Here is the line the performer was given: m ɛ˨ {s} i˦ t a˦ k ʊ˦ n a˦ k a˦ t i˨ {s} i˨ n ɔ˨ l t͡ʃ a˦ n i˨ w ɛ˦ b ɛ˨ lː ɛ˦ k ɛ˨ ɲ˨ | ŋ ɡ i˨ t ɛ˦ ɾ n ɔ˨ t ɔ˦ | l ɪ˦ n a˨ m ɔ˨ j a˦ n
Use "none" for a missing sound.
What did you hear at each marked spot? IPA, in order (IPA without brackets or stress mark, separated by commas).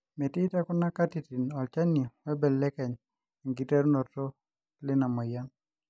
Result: t, t